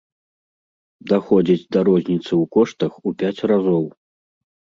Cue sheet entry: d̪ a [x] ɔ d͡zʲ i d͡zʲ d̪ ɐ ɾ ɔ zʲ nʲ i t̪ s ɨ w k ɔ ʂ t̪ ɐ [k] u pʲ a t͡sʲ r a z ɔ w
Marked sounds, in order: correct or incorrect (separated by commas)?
correct, incorrect